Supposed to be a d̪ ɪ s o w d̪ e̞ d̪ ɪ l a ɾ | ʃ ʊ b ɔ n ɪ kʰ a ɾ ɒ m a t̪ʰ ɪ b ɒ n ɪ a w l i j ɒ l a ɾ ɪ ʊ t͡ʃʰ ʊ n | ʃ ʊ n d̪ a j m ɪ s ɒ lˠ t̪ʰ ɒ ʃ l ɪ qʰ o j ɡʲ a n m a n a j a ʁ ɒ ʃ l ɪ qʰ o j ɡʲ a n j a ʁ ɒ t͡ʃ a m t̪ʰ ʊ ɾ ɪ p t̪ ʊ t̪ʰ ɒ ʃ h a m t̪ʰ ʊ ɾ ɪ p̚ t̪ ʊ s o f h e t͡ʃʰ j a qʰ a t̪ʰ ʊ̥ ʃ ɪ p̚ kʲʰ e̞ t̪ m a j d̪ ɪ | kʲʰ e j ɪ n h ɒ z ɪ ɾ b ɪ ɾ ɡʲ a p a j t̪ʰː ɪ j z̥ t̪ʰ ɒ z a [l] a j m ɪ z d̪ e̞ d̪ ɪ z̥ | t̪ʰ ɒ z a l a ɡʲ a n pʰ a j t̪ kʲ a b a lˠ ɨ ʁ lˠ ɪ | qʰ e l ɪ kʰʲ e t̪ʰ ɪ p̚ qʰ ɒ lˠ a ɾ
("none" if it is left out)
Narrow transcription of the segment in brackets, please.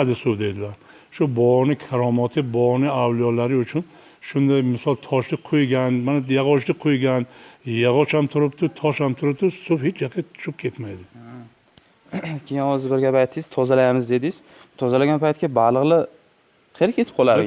l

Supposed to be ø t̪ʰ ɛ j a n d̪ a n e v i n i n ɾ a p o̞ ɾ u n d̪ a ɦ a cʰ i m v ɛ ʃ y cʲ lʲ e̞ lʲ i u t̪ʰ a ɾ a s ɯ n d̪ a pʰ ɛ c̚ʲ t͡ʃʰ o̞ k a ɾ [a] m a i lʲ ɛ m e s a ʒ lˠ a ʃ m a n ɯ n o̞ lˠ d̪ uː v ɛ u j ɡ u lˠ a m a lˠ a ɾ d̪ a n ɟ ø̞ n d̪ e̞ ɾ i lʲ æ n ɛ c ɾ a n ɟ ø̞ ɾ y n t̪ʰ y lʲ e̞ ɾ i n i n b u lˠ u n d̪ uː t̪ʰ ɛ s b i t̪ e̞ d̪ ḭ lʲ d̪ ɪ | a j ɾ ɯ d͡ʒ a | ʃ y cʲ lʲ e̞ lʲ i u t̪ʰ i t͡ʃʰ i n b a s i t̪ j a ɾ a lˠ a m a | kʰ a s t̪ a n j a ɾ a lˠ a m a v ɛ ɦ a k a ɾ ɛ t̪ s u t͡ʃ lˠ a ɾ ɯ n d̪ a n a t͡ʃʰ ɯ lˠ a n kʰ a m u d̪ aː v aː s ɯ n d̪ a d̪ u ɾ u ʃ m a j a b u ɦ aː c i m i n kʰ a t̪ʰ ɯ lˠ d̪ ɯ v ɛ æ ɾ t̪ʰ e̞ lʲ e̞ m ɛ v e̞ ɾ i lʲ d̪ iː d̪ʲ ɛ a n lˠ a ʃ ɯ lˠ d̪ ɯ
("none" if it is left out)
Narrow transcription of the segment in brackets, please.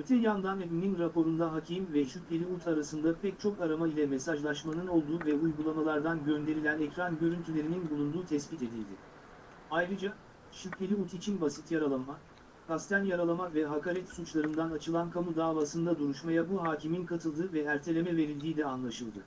a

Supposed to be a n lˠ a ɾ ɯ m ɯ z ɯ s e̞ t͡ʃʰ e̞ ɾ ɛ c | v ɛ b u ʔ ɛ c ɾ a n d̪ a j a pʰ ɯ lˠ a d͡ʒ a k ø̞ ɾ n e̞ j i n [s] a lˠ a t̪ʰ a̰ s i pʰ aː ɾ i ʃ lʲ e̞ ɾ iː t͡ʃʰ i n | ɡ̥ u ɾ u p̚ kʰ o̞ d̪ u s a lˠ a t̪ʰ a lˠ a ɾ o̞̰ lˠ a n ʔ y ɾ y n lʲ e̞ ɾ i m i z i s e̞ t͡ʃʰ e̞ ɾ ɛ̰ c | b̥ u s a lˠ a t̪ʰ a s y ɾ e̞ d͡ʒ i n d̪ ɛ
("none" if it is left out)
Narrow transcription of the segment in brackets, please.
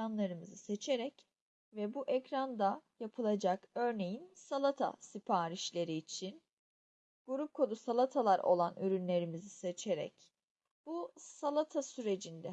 s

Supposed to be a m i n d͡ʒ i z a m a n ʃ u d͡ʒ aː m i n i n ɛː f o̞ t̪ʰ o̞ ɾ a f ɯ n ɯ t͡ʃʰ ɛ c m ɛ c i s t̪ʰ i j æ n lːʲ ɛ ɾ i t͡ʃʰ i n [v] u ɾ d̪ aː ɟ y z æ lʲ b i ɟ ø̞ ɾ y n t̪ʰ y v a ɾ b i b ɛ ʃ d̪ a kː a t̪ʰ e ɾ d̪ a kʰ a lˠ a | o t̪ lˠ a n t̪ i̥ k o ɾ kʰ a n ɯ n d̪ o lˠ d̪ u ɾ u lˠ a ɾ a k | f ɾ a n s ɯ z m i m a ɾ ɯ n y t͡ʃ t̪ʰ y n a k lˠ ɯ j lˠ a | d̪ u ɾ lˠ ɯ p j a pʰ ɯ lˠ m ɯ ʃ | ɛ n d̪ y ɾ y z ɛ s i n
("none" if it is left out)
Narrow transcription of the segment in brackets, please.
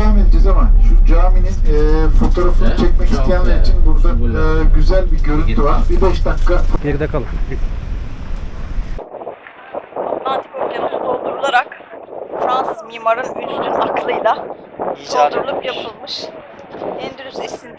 b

